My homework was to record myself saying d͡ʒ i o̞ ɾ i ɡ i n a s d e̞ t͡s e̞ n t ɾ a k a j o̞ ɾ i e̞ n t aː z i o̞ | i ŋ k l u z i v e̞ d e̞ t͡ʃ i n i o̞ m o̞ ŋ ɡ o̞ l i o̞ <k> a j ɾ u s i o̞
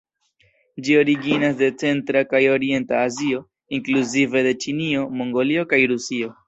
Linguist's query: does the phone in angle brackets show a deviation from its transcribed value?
no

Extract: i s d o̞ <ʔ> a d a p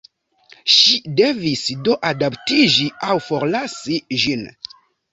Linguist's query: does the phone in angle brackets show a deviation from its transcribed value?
no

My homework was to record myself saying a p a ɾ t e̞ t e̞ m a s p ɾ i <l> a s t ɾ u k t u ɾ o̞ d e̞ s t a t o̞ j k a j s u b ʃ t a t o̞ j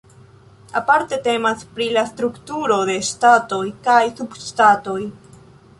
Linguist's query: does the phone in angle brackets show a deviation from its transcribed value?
no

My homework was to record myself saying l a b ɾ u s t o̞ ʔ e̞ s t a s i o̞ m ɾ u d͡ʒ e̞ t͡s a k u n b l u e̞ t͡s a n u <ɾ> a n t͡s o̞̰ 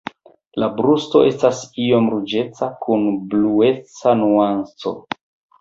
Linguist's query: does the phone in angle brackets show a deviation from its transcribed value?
yes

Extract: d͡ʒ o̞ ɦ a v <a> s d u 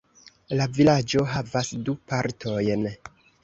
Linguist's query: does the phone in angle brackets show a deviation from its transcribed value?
no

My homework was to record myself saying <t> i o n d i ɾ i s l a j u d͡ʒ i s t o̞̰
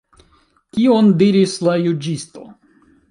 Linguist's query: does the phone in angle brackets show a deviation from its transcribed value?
yes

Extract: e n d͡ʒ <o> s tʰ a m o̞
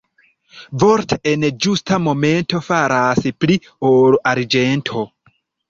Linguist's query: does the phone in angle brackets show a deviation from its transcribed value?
yes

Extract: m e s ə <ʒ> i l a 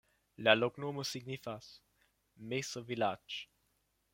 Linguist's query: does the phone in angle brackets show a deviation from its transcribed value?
yes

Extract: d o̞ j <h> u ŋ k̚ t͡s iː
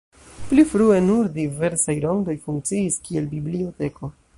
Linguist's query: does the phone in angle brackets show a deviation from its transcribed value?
yes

